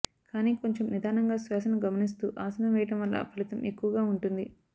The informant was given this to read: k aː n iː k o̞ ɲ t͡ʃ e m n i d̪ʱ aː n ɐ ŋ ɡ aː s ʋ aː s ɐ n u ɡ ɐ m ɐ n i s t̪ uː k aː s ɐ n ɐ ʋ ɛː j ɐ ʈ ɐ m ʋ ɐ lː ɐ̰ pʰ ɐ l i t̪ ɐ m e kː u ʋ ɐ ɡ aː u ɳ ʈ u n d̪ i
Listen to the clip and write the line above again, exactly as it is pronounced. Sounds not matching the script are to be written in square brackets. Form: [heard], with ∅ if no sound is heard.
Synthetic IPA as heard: k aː n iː k o̞ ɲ t͡ʃ e m n i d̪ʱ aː n ɐ ŋ ɡ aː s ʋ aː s ɐ n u ɡ ɐ m ɐ n i s t̪ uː [ʔ] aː s ɐ n ɐ ʋ ɛː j ɐ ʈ ɐ m ʋ ɐ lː ɐ̰ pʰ ɐ l i t̪ ɐ m e kː u ʋ ɐ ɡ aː u ɳ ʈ u n d̪ i